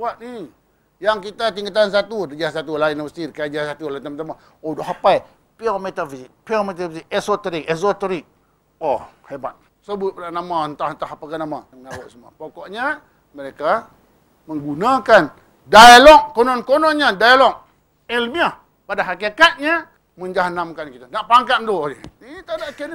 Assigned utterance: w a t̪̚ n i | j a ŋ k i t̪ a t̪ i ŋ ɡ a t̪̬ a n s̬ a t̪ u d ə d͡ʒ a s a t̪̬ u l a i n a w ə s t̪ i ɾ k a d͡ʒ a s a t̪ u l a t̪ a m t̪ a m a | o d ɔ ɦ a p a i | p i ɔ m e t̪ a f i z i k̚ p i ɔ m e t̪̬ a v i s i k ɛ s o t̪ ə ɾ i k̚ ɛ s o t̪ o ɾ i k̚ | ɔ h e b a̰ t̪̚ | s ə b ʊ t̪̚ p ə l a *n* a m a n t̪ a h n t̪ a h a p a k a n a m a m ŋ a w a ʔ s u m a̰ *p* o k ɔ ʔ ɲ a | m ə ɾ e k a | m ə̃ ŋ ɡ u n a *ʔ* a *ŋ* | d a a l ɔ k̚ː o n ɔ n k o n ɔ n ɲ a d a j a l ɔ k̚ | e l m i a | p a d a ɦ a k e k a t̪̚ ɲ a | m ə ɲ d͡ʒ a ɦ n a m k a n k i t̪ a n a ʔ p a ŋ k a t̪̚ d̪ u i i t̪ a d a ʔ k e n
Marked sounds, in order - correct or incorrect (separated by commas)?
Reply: correct, correct, incorrect, incorrect